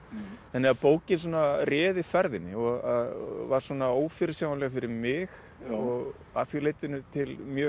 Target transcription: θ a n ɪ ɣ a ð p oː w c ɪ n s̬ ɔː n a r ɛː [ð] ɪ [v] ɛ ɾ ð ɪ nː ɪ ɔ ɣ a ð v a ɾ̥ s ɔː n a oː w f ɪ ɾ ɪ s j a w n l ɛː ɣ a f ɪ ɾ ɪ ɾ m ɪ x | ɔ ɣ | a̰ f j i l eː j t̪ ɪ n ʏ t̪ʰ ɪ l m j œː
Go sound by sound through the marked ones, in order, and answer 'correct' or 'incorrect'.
correct, incorrect: f

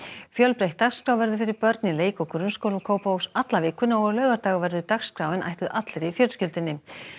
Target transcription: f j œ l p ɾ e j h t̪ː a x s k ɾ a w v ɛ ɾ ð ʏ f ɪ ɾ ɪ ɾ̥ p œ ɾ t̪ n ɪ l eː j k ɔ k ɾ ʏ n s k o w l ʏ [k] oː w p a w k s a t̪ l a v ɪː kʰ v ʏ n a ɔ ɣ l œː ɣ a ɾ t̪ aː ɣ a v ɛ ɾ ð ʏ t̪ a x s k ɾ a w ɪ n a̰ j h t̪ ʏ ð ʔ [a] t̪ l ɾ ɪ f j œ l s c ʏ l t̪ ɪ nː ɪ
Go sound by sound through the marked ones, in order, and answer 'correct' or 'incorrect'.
incorrect: kʰ, correct

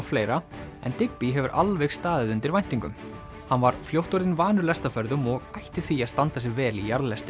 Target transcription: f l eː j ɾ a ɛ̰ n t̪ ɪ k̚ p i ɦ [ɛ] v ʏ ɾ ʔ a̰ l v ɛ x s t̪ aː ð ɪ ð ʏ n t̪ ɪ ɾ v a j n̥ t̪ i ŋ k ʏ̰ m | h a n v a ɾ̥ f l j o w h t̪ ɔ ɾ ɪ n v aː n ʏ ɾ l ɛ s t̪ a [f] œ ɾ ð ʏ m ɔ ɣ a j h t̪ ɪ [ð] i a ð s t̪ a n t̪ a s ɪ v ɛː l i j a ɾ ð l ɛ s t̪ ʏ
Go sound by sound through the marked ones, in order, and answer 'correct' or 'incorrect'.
correct, correct, incorrect: θ

